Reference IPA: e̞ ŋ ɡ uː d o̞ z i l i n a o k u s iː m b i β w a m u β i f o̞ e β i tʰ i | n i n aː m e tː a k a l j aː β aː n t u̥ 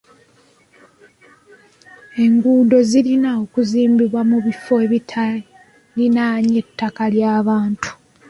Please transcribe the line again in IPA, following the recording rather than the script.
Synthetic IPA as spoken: e̞ ŋ ɡ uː d o̞ z i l i n a o k u z iː m b i β w a m u β i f o̞ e β i tʰ a | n i n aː ɲ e tː a k a l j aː β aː n t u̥